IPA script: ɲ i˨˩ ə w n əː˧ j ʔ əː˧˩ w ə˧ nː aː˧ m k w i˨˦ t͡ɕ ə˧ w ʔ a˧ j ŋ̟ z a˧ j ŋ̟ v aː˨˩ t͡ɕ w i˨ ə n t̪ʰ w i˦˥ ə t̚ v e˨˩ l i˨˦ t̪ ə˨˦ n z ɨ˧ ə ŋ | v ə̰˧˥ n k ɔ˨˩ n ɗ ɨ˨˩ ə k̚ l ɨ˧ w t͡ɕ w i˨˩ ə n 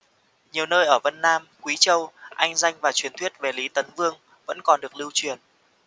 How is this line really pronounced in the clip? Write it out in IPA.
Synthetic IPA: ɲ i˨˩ ə w n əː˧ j ʔ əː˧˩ v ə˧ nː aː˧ m k w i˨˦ t͡ɕ ə˧ w ʔ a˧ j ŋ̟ z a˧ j ŋ̟ v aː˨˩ t͡ɕ w i˨ ə n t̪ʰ w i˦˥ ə t̚ v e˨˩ l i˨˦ t̪ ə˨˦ n v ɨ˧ ə ŋ | v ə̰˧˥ n k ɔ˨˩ n ɗ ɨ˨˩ ə k̚ l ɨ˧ w t͡ɕ w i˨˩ ə n